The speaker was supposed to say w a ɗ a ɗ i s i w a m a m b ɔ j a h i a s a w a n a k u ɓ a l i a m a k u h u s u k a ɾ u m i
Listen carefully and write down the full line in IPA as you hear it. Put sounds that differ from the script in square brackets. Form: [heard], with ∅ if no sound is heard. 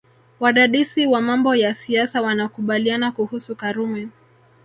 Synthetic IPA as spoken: w a ɗ a ɗ i s i w a m a m b ɔ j a [s] i a s a w a n a k u ɓ a l i a [n] a k u h u s u k a ɾ u m [ɛ]